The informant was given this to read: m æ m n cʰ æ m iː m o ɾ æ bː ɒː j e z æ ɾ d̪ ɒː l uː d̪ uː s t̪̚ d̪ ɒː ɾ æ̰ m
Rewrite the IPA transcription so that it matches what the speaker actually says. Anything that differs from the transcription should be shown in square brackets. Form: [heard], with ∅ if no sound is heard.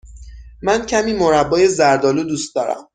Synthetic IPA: m æ [∅] n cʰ æ m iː m o ɾ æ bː ɒː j e z æ ɾ d̪ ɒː l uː d̪ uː s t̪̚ d̪ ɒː ɾ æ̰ m